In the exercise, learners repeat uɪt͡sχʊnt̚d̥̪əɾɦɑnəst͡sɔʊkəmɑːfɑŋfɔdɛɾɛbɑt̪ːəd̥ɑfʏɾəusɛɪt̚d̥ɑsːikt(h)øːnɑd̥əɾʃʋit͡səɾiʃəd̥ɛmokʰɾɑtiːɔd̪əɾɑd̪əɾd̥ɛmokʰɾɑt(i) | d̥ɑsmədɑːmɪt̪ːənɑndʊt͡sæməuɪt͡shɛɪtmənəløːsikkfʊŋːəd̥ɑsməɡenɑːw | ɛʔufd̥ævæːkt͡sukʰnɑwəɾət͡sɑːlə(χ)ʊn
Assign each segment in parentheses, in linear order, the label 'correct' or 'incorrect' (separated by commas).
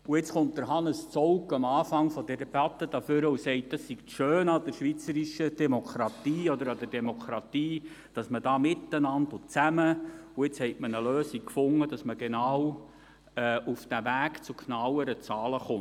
incorrect, incorrect, correct